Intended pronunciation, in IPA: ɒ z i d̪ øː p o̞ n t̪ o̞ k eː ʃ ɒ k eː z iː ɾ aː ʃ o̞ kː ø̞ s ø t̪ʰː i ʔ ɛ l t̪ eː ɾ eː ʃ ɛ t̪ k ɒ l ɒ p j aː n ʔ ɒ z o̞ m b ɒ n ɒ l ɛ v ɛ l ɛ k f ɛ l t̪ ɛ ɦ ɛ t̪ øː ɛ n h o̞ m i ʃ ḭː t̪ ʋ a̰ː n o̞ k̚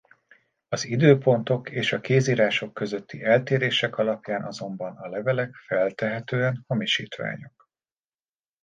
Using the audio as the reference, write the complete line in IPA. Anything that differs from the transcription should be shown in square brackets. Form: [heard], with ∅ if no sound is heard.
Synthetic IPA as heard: ɒ z i d̪ øː p o̞ n t̪ o̞ k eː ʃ ɒ k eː z iː ɾ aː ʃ o̞ kː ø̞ [z] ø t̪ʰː i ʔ ɛ l t̪ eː ɾ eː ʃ ɛ [∅] k ɒ l ɒ p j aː n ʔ ɒ z o̞ m b ɒ n ɒ l ɛ v ɛ l ɛ k f ɛ l t̪ ɛ ɦ ɛ t̪ øː ɛ n h o̞ m i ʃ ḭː t̪ ʋ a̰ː [ɲ] o̞ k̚